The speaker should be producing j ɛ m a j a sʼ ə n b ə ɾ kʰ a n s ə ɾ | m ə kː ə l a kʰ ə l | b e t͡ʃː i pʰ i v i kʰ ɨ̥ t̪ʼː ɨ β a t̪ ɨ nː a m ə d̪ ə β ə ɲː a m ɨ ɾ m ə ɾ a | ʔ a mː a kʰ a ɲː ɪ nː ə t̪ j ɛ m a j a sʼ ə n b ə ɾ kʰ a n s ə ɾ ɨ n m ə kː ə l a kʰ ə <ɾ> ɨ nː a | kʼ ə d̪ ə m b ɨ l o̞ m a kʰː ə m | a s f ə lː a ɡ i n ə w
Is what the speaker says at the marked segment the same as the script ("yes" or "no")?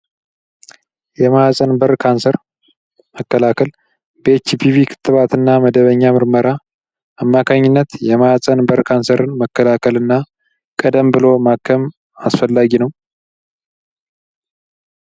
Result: no